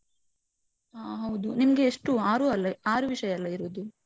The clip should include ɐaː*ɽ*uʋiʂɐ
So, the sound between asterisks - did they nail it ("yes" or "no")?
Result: no